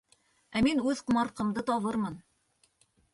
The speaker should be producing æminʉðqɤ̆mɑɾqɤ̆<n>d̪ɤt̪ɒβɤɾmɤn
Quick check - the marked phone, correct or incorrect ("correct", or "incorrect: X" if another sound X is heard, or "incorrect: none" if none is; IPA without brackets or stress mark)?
incorrect: m